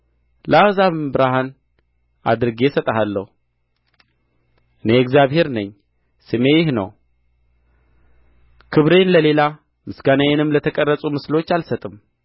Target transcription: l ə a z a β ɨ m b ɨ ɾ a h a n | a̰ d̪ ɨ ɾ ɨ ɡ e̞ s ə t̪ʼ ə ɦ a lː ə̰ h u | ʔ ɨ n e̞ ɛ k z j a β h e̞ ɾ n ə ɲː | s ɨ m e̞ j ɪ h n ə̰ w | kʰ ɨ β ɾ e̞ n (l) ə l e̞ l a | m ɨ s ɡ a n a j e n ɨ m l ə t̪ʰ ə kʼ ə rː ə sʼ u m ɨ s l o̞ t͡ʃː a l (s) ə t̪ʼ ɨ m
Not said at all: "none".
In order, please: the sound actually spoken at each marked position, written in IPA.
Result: l, s

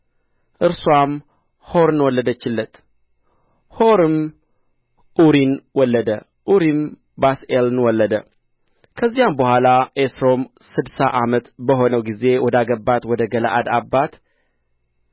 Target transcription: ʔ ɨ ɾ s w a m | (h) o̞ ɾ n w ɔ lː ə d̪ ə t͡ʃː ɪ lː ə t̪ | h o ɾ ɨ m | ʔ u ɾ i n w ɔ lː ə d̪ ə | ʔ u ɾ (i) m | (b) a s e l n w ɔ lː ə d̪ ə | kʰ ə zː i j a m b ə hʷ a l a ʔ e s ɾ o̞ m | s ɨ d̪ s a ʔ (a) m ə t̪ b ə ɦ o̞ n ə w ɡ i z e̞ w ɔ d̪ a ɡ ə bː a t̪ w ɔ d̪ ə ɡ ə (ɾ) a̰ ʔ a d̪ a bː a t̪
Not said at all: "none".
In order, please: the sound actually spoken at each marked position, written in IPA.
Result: h, i, b, a, l

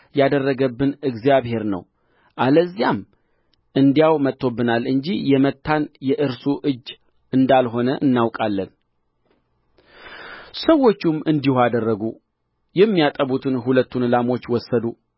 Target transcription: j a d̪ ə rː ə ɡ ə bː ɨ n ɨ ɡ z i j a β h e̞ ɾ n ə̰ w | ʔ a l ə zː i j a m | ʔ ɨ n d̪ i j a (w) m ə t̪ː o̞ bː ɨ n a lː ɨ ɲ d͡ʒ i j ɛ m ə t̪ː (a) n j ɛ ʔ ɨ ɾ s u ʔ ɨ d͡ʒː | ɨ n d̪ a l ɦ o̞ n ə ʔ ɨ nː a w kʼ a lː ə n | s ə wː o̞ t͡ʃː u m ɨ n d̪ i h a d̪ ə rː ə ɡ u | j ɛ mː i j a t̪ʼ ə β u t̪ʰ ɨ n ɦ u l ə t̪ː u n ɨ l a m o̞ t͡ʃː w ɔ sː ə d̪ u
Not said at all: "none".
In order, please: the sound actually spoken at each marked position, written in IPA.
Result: w, a

